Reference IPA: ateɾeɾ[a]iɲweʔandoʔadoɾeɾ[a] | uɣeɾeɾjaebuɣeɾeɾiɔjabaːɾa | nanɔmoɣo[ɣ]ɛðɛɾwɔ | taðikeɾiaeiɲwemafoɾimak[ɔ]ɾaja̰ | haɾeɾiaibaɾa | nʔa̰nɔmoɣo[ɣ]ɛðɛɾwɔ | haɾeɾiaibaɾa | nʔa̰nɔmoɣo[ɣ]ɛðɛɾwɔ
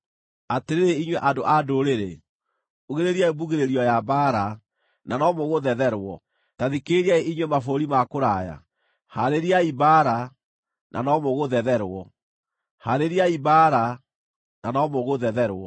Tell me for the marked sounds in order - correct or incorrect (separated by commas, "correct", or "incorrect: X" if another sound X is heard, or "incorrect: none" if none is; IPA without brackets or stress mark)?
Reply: incorrect: e, incorrect: e, incorrect: ð, incorrect: o, incorrect: ð, incorrect: ð